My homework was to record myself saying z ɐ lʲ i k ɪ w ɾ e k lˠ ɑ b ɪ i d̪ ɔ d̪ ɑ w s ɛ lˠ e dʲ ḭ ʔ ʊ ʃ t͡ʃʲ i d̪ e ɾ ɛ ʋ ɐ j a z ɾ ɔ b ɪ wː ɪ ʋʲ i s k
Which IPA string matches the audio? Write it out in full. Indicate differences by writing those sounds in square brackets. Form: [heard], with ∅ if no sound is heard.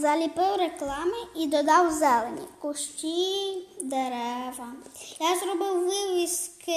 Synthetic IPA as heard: z ɐ lʲ i [p] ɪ w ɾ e k lˠ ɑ [m] ɪ i d̪ ɔ d̪ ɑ w [z] ɛ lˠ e [nʲ] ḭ [k] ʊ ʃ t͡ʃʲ i d̪ e ɾ ɛ ʋ ɐ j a z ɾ ɔ b ɪ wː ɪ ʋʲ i s k